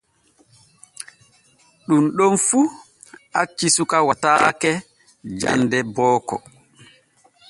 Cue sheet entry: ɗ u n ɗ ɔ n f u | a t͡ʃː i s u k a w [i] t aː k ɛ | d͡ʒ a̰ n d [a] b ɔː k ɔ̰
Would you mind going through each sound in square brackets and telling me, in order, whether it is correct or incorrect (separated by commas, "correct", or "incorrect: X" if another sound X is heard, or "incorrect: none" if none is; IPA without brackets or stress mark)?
incorrect: a, incorrect: ɛ